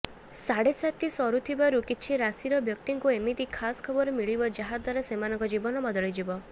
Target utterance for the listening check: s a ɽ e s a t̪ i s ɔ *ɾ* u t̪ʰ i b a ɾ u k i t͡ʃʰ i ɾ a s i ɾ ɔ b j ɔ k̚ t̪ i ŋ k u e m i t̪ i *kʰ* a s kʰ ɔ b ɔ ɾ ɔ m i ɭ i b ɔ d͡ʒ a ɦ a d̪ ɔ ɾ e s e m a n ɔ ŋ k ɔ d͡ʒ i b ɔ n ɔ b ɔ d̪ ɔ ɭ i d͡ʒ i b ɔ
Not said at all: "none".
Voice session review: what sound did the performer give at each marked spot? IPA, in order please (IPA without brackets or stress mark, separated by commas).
ɾ, kʰ